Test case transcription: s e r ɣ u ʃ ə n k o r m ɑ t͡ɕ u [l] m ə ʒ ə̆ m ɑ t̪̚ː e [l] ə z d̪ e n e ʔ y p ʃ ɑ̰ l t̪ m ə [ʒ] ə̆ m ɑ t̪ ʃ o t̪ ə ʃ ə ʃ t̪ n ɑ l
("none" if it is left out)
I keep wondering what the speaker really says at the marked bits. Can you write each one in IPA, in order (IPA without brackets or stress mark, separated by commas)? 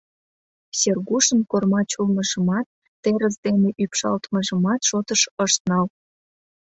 l, ɾ, ʒ